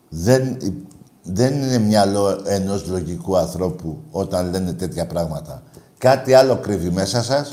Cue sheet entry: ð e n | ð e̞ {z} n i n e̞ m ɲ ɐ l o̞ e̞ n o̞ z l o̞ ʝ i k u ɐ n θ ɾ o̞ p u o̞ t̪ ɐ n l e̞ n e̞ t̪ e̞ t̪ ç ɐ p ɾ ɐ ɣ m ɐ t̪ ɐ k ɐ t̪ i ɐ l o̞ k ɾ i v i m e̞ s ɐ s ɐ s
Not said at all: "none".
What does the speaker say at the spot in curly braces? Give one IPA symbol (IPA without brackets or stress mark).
none